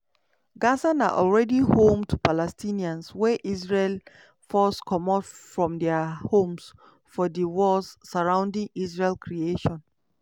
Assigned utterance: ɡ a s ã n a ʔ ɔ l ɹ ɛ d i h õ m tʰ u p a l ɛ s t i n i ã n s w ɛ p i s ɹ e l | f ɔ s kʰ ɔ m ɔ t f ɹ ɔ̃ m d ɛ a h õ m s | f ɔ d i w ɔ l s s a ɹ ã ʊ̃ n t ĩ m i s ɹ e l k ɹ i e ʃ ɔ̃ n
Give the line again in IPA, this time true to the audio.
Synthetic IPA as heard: ɡ a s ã n a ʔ ɔ l ɹ ɛ d i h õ m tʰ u p a l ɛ s t i n i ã n s w ɛ ʔ i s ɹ e l | f ɔ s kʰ ɔ m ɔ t f ɹ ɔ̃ m d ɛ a h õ m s | f ɔ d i w ɔ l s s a ɹ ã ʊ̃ n d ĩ ŋ i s ɹ e l k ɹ i e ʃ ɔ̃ n